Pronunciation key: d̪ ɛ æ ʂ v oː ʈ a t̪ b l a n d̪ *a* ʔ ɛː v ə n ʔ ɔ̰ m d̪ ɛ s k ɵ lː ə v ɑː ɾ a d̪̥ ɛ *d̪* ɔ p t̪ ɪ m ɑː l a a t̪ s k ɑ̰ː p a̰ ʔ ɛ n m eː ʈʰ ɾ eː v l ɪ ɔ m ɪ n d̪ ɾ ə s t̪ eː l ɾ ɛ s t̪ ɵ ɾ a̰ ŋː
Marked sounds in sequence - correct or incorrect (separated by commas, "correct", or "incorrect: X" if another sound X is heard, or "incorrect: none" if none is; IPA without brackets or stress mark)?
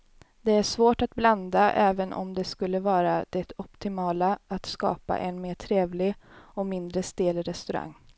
correct, incorrect: t̪